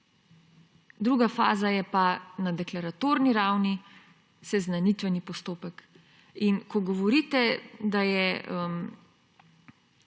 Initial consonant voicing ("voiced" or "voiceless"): voiced